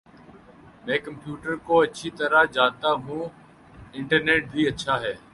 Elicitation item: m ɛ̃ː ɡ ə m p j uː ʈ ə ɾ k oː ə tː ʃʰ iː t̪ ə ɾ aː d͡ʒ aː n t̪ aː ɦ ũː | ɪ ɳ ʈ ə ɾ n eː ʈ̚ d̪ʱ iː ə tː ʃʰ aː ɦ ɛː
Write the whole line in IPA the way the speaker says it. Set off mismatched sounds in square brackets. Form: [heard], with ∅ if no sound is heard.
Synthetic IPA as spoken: m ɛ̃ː [k] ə m p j uː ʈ ə ɾ k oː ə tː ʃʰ iː t̪ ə ɾ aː d͡ʒ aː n t̪ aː ɦ ũː | ɪ ɳ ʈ ə ɾ n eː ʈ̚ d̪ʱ iː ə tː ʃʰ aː ɦ ɛː